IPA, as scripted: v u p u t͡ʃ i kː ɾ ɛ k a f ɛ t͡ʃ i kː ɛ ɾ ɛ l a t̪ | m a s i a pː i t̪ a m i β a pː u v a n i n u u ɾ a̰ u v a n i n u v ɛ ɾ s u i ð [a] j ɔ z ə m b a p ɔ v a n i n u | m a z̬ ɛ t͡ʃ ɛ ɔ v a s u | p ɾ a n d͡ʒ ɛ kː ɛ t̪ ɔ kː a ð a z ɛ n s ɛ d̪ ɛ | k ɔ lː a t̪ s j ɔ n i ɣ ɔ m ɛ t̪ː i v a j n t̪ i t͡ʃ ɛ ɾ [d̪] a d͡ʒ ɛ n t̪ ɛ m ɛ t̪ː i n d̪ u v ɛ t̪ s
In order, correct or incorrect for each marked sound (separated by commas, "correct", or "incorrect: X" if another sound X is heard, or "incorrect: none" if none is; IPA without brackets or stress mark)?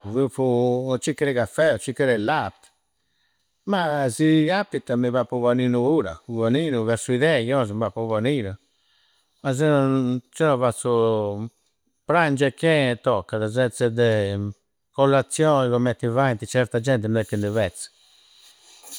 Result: incorrect: ɛ, incorrect: t̪